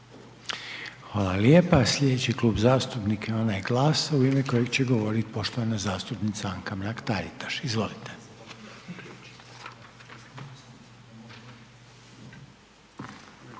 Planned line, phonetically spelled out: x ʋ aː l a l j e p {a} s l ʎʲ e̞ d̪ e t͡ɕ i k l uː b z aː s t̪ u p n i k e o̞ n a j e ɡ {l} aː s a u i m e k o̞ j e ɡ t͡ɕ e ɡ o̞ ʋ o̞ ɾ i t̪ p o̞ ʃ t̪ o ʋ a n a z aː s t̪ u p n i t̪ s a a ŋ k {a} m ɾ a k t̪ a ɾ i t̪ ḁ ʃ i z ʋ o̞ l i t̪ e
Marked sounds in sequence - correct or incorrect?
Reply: correct, correct, correct

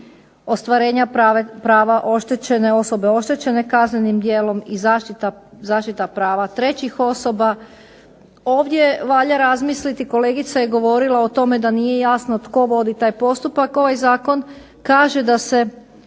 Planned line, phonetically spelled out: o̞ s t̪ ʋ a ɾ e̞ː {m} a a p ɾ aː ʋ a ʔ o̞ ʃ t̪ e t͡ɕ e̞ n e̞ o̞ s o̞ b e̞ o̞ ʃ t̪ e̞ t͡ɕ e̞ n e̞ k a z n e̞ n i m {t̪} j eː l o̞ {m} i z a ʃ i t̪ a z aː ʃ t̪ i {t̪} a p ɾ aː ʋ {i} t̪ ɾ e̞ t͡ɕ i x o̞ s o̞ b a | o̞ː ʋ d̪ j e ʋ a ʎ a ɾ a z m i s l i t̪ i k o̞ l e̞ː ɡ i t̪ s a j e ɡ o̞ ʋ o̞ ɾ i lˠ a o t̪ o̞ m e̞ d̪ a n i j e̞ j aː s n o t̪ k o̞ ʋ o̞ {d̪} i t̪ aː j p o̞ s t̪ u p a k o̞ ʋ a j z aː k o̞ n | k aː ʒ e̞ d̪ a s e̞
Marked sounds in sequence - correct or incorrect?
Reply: incorrect, incorrect, correct, correct, incorrect, correct

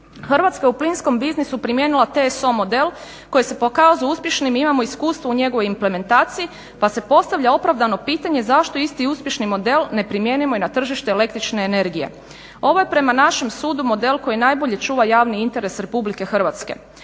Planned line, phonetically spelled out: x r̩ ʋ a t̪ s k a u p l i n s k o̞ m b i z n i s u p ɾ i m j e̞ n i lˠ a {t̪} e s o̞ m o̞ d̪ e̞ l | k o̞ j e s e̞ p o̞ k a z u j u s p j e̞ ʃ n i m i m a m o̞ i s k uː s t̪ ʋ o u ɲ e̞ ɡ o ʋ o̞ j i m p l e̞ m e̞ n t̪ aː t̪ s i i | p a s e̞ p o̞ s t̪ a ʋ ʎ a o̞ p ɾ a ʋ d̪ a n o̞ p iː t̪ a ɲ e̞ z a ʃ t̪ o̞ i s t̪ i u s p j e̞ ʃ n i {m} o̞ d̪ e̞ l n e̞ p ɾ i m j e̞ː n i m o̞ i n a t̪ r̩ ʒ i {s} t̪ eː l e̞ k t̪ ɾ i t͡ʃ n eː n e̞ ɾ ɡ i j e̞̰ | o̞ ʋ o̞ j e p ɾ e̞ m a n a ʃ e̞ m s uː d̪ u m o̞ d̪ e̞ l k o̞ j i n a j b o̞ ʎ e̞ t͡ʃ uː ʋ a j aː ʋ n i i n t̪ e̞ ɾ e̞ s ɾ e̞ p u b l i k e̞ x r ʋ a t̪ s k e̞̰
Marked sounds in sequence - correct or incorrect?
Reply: correct, correct, incorrect

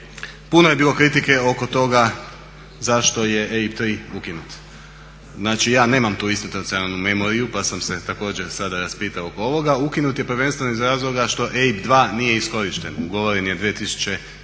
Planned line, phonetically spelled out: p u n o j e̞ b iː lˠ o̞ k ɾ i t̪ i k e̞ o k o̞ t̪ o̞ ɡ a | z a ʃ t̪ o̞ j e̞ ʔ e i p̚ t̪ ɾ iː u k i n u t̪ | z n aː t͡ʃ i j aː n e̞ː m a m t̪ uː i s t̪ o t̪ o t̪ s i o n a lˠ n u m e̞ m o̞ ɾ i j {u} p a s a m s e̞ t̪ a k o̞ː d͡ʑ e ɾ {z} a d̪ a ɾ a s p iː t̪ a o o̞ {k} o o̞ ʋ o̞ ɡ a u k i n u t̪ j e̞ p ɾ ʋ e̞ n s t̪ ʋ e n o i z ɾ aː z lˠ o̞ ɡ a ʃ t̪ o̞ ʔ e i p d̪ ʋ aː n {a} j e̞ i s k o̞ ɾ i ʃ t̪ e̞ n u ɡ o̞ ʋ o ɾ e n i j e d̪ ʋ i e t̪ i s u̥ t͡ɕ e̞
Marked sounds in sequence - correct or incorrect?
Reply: correct, incorrect, correct, incorrect

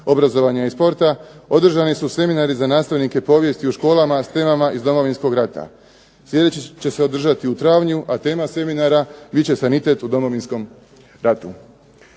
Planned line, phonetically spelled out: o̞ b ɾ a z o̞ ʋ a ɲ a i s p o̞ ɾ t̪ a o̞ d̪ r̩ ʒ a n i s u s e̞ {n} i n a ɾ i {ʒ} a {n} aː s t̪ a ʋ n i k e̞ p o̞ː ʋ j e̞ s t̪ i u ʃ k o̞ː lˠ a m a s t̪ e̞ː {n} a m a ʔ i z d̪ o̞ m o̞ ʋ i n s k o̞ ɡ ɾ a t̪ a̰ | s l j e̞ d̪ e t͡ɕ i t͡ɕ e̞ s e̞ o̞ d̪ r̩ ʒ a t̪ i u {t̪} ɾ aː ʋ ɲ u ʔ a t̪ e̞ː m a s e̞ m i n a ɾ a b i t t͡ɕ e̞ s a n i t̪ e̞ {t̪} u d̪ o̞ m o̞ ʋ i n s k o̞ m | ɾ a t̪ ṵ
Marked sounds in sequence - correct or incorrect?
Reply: incorrect, incorrect, correct, incorrect, correct, correct

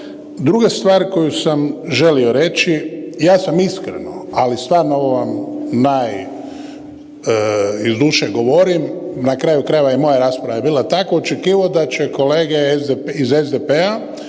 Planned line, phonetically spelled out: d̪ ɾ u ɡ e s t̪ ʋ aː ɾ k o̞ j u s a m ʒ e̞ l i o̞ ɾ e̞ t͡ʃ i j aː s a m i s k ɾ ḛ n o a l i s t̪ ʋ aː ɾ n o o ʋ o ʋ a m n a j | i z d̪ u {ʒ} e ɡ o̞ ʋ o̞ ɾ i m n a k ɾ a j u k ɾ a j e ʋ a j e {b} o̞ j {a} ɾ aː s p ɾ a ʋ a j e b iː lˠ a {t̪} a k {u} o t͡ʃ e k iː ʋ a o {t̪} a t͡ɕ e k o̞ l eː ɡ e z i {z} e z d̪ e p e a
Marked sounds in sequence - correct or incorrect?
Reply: incorrect, incorrect, correct, correct, incorrect, incorrect, correct

